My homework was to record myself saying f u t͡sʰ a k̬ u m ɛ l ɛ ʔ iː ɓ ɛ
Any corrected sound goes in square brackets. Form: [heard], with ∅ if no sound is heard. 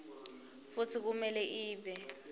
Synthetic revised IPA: f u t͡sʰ [i] k̬ u m ɛ l ɛ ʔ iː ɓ ɛ

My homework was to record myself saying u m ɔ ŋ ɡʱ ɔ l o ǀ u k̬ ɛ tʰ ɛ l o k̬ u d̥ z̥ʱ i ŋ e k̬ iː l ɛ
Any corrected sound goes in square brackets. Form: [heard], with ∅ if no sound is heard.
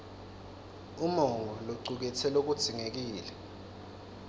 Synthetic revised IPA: u m ɔ ŋ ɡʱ ɔ l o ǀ u k̬ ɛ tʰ ɛ l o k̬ u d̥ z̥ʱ i ŋ e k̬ iː l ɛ

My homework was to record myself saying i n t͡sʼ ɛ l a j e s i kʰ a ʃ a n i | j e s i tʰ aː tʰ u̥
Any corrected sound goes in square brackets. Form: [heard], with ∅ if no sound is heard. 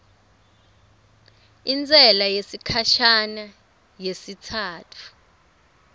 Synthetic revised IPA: i n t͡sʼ ɛ l a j e s i kʰ a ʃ a n [a] | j e s i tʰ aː tʰ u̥

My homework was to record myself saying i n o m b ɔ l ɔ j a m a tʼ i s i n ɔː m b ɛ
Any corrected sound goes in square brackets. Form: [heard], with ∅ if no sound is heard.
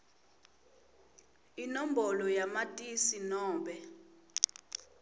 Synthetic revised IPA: i n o m b ɔ l ɔ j a m a tʼ i s i n ɔː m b ɛ

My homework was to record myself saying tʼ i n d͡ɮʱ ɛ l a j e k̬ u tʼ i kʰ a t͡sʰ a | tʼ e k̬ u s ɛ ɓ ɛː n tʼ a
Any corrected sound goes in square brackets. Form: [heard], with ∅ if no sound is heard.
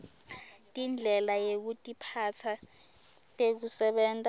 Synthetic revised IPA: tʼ i n d͡ɮʱ ɛ l a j e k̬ u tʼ i [pʰ] a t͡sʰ a | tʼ e k̬ u s ɛ ɓ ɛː n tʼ a

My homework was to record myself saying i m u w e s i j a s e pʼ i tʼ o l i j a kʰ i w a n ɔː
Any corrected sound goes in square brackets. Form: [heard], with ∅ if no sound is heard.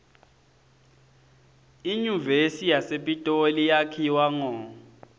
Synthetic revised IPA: i [ɲ] u [v] e s i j a s e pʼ i tʼ o l i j a kʰ i w a [ŋ] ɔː

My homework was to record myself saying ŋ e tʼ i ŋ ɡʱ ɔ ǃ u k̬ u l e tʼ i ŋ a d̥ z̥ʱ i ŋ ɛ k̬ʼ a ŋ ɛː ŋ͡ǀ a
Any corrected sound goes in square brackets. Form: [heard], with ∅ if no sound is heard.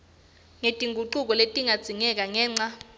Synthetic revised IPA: ŋ e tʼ i ŋ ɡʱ [u] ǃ u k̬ [ɔ] l e tʼ i ŋ a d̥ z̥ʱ i ŋ ɛ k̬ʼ a ŋ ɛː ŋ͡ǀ a

